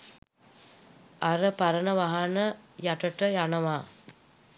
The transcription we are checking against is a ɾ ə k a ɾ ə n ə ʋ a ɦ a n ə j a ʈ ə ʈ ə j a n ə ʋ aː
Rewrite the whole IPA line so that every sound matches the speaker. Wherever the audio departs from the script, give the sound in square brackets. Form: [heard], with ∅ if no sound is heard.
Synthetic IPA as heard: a ɾ ə [p] a ɾ ə n ə ʋ a ɦ a n ə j a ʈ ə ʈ ə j a n ə ʋ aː